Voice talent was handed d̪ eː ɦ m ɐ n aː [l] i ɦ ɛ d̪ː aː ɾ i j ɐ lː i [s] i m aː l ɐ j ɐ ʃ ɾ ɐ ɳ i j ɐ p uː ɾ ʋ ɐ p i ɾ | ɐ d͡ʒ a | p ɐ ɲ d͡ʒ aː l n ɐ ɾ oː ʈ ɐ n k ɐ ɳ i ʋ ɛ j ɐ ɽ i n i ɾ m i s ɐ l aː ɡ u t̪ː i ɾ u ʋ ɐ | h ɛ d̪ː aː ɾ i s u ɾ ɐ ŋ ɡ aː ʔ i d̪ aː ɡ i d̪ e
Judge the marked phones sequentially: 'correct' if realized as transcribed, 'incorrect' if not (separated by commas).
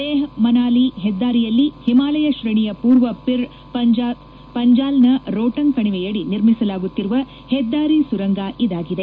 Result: correct, incorrect